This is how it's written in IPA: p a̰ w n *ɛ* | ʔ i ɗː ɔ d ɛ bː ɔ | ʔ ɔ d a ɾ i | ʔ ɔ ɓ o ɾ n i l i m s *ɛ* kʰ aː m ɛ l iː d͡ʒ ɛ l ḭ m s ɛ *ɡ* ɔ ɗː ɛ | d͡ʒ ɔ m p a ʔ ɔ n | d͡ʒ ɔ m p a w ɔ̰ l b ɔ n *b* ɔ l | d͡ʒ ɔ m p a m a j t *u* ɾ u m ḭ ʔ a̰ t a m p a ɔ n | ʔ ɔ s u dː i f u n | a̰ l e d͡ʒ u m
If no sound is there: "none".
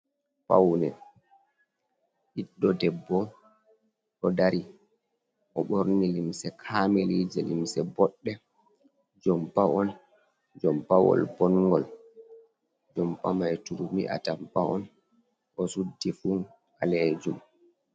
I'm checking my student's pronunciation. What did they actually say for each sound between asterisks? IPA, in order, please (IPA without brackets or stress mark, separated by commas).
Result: ɛ, ɛ, b, ɡ, u